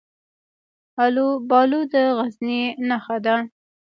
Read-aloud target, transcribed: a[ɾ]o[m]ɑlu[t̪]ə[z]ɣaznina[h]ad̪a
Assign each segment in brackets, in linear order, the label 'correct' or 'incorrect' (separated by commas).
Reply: incorrect, incorrect, incorrect, incorrect, incorrect